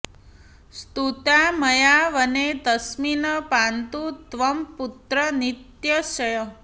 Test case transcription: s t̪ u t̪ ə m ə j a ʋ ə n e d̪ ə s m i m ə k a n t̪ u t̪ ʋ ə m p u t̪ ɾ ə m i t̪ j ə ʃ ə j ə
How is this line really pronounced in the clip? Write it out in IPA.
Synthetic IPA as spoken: s t̪ u t̪ a m ə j a ʋ ə n e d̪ ə s m i n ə p a n t̪ u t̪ ʋ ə m p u t̪ ɾ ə n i t̪ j ə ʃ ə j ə

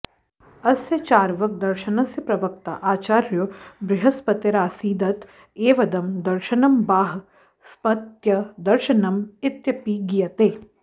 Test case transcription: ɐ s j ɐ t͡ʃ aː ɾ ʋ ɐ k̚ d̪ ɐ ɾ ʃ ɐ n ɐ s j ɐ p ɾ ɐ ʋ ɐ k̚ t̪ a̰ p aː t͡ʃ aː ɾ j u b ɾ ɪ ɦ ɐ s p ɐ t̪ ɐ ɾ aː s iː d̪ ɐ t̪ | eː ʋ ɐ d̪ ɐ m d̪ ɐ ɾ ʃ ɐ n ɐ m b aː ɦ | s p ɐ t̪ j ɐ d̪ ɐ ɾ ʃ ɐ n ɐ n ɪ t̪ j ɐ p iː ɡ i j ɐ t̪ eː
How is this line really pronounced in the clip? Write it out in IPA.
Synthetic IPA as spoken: ɐ s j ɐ t͡ʃ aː ɾ ʋ ɐ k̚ d̪ ɐ ɾ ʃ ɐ n ɐ s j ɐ p ɾ ɐ ʋ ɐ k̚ t̪ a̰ ʔ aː t͡ʃ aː ɾ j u b ɾ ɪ ɦ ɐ s p ɐ t̪ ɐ ɾ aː s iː d̪ ɐ t̪ | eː ʋ ɐ d̪ ɐ m d̪ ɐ ɾ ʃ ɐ n ɐ m b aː ɦ | s p ɐ t̪ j ɐ d̪ ɐ ɾ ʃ ɐ n ɐ m ɪ t̪ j ɐ p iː ɡ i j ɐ t̪ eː

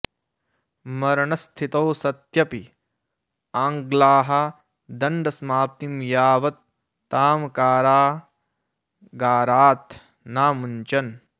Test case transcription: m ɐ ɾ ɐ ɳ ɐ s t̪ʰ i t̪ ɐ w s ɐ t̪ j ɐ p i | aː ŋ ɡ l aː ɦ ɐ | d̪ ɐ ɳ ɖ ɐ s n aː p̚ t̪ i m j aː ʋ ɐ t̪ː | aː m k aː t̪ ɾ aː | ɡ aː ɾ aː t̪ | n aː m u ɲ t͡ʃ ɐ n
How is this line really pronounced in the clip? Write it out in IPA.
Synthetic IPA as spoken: m ɐ ɾ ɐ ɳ ɐ s t̪ʰ i t̪ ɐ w s ɐ t̪ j ɐ p i | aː ŋ ɡ l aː ɦ ɐ | d̪ ɐ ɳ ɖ ɐ s m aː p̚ t̪ i m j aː ʋ ɐ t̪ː | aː m k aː ɾ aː | ɡ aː ɾ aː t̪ | n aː m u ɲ t͡ʃ ɐ n

